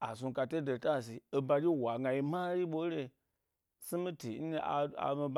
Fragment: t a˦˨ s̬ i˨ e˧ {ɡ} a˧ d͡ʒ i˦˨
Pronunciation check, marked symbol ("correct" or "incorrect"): incorrect